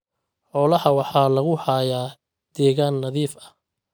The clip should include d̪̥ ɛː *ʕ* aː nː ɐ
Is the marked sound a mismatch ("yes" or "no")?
yes